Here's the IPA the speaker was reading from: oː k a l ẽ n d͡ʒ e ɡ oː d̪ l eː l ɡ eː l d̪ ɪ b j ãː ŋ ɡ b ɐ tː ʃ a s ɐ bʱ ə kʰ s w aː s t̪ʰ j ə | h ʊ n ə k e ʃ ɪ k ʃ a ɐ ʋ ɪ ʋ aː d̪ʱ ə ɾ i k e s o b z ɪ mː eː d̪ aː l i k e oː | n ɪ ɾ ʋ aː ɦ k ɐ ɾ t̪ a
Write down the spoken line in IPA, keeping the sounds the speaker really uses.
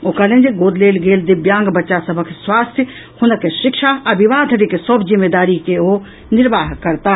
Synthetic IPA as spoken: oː k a l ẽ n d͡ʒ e ɡ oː d̪ l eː l ɡ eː l d̪ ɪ b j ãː ŋ ɡ b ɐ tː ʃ a s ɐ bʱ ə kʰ s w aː s t̪ʰ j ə | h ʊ n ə k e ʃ ɪ k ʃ a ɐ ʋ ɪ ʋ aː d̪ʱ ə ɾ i k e s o b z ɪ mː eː d̪ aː ɾ i k e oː | n ɪ ɾ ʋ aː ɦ k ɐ ɾ t̪ a